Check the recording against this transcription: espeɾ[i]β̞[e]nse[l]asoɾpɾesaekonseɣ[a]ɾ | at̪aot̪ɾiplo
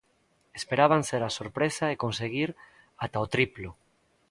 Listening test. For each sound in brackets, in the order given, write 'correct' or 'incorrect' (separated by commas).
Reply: incorrect, incorrect, incorrect, incorrect